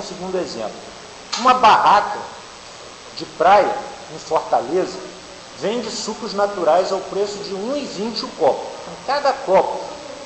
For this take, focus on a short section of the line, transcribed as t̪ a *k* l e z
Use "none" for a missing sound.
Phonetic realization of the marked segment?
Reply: none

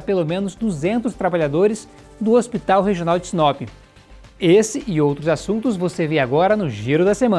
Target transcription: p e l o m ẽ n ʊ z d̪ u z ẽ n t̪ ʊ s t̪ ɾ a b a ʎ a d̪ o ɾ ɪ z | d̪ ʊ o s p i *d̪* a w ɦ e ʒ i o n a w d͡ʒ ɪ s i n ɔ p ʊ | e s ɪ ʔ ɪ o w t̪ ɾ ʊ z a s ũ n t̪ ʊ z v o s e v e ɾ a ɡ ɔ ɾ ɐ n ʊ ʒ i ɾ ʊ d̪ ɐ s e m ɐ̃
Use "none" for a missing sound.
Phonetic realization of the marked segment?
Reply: t̪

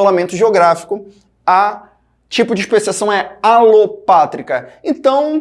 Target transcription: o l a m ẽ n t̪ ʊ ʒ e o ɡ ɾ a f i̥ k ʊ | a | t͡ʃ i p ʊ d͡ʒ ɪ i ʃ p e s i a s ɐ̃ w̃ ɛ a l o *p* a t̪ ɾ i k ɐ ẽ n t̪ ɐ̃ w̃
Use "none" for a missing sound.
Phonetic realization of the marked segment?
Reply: p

